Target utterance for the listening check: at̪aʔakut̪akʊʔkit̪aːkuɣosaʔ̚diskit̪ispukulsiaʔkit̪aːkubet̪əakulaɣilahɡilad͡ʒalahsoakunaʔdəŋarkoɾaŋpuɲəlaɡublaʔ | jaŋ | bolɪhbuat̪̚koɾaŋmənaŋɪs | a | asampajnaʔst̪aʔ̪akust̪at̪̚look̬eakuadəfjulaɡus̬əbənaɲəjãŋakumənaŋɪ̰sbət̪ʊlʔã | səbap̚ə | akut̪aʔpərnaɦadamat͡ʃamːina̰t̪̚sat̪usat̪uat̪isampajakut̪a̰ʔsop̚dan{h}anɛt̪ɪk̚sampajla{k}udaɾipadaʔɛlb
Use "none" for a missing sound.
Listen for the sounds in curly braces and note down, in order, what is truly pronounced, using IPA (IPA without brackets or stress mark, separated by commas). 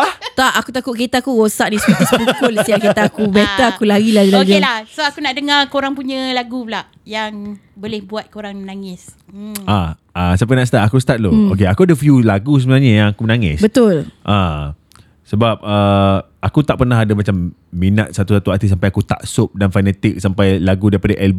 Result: f, ɡ